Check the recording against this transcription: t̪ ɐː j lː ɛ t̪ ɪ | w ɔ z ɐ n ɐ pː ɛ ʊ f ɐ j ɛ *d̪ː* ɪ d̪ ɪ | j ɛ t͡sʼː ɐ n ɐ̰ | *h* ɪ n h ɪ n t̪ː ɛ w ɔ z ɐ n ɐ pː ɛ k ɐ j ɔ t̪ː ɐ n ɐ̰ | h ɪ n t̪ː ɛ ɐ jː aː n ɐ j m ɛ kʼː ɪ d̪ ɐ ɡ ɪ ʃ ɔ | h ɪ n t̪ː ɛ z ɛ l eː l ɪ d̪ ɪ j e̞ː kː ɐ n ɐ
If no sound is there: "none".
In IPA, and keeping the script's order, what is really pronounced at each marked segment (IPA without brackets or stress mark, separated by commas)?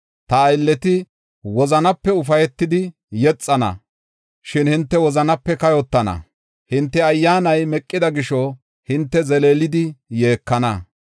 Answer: t̪ː, ʃ